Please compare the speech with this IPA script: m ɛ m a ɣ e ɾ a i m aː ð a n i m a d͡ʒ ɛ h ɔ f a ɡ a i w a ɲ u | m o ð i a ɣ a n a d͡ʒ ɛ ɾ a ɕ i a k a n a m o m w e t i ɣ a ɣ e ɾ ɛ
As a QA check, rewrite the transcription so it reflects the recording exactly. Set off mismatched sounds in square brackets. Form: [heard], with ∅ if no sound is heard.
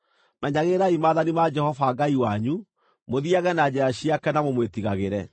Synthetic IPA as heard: m ɛ [ɲ] a ɣ e ɾ a i m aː ð a n i m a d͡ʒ ɛ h ɔ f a ɡ a i w a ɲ u | m o ð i a ɣ [ɛ] n a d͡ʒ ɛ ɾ a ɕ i a k [ɛ] n a m o m w e t i ɣ a ɣ e ɾ ɛ